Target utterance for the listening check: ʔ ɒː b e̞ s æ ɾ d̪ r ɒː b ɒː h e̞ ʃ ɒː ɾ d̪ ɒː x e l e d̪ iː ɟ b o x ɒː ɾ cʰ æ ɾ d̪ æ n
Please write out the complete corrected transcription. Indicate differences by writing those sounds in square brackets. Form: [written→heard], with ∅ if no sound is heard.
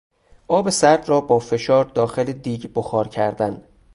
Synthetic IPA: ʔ ɒː b e̞ s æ ɾ d̪ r ɒː b ɒː [h→f] e̞ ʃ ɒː ɾ d̪ ɒː x e l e d̪ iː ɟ b o x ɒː ɾ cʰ æ ɾ d̪ æ n